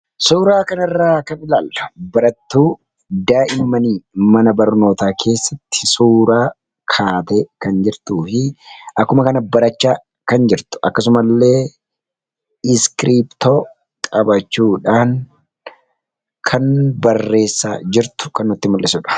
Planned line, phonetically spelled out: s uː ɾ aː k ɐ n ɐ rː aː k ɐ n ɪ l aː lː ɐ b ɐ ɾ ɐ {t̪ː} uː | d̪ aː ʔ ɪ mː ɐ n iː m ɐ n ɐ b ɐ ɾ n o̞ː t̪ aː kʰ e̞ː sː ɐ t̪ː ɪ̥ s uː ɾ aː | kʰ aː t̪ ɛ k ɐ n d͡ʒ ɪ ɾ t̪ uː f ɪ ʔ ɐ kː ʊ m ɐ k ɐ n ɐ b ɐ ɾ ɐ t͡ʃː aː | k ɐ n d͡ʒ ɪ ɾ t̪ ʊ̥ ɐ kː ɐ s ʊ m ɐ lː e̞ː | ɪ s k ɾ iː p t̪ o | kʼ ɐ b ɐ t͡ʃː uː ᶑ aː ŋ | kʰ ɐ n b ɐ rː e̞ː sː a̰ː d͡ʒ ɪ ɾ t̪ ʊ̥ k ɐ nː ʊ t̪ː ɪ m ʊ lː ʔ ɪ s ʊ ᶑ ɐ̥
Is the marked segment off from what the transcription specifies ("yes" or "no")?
no